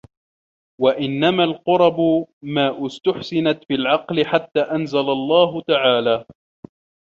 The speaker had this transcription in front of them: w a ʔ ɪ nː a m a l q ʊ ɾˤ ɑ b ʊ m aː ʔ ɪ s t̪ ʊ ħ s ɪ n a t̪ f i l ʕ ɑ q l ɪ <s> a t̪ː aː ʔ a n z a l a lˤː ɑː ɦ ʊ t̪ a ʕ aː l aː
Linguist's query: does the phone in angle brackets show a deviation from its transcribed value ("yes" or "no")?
yes